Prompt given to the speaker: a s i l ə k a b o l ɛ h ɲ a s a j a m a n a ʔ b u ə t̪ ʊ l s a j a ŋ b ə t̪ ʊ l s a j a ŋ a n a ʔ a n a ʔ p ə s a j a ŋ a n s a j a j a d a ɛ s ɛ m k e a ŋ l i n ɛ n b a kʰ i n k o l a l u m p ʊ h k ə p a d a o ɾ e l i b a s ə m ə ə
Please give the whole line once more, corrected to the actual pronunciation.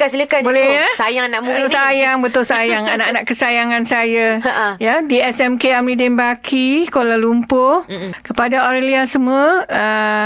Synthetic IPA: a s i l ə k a b o l ɛ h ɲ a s a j a ŋ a n a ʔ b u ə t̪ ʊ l s a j a ŋ b ə t̪ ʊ l s a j a ŋ a n a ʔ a n a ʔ k ə s a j a ŋ a n s a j a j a d i ɛ s ɛ m k e a m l i d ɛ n b a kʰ i k o l a l u m p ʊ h k ə p a d a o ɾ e l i a s ə m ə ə